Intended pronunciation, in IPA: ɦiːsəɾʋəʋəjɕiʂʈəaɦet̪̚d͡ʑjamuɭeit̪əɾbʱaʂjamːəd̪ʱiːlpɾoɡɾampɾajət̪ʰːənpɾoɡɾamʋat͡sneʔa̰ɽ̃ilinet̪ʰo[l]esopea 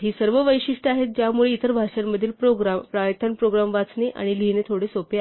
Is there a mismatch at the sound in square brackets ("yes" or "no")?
yes